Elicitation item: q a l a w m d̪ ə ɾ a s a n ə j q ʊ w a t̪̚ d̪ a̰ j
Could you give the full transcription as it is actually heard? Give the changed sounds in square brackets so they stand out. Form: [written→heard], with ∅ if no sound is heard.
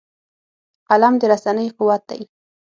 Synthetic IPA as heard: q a l a [w→∅] m d̪ ə ɾ a s a n ə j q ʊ w a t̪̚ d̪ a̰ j